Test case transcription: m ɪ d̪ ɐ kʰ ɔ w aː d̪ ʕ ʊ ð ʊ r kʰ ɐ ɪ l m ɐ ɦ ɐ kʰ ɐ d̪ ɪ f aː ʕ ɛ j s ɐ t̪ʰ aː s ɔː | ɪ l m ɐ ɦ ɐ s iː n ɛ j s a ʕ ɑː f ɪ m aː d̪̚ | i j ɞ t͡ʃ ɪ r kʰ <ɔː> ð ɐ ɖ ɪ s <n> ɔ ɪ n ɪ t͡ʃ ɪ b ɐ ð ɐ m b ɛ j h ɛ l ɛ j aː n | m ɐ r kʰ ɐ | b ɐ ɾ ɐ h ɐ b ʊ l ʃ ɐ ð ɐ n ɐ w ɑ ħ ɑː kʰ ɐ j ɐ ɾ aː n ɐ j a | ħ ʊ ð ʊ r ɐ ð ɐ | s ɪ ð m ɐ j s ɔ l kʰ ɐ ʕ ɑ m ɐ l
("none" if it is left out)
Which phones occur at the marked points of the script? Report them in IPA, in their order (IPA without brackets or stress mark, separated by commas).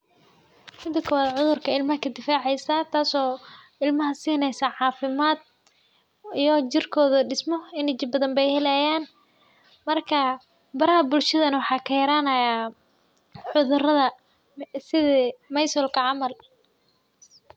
ɔː, m